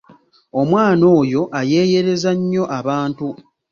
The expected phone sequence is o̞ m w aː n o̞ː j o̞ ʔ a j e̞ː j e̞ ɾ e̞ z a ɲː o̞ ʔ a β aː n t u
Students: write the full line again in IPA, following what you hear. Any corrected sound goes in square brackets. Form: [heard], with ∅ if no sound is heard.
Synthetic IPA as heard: o̞ m w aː n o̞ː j o̞ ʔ a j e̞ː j e̞ ɾ e̞ z a ɲː o̞ ʔ a β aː n t u